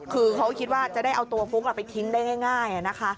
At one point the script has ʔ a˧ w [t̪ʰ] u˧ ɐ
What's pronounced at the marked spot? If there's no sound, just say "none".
t̪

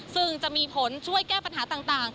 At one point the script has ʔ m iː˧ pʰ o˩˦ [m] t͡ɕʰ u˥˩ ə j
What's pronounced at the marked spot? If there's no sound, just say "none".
n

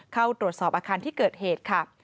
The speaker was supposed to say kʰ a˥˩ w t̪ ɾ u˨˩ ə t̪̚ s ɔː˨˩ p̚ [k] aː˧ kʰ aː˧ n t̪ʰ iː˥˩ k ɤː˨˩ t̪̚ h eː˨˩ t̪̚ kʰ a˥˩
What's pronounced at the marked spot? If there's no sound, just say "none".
ʔ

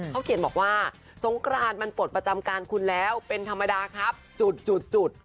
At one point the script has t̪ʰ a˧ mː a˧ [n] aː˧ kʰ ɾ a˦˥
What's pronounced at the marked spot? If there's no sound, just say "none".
d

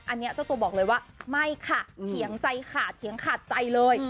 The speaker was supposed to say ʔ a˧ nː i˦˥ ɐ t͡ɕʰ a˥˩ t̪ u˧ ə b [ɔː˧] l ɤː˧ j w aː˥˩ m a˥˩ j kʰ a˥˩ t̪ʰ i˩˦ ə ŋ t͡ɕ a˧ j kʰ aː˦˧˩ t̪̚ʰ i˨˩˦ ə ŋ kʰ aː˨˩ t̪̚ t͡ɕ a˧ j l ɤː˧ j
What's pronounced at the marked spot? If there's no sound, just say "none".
ɔː˨˩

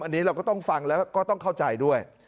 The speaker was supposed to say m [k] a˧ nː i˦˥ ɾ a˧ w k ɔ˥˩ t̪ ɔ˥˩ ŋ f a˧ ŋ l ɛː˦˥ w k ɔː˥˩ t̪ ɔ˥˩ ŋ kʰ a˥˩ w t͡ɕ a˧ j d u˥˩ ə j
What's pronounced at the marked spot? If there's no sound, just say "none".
ʔ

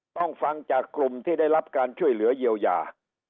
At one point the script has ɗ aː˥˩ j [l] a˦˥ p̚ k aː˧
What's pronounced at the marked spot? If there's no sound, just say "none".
l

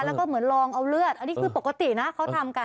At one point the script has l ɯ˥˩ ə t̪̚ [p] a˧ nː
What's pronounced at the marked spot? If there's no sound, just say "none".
ʔ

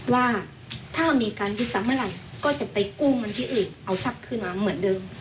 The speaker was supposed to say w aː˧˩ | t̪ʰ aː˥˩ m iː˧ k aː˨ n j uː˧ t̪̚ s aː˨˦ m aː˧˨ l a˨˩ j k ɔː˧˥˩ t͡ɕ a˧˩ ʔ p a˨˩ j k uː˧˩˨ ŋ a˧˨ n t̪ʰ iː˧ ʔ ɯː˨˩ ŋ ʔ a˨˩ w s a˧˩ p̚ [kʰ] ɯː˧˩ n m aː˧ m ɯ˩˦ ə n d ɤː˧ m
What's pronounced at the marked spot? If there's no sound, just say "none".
kʰ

